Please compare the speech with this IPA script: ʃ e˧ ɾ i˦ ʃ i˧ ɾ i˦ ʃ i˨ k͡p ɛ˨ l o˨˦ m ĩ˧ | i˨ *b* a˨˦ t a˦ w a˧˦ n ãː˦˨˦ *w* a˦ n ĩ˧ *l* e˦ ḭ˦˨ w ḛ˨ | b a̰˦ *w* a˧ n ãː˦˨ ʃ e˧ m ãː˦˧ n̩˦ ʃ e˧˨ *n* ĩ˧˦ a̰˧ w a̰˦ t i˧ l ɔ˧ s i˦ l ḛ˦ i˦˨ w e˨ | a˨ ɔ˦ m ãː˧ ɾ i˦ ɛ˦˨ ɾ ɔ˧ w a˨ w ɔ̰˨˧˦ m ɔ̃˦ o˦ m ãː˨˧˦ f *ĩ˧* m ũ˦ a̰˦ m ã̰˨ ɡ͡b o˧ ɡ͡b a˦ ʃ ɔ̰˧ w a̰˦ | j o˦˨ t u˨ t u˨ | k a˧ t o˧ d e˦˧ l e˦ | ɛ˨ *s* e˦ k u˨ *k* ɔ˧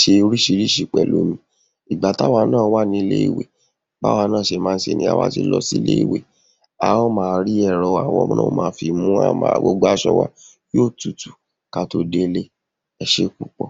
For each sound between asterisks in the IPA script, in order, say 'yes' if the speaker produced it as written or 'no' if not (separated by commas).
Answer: no, yes, yes, yes, yes, no, no, no